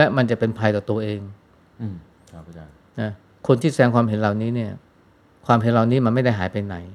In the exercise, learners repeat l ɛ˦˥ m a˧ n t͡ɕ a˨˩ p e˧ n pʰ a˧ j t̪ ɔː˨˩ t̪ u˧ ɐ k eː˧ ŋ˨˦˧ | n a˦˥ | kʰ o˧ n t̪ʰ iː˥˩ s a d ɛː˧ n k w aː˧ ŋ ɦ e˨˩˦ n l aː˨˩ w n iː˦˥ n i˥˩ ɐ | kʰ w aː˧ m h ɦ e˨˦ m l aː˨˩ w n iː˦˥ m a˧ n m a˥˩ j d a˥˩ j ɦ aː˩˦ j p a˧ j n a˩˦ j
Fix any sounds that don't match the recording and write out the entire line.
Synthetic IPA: l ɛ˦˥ m a˧ n t͡ɕ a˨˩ p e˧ n pʰ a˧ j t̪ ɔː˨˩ t̪ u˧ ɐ ʔ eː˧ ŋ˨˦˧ | n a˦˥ | kʰ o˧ n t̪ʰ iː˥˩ s a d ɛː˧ ŋ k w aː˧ m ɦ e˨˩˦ n l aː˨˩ w n iː˦˥ n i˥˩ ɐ | kʰ w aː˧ m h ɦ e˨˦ n l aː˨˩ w n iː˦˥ m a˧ n m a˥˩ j d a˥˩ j ɦ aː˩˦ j p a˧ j n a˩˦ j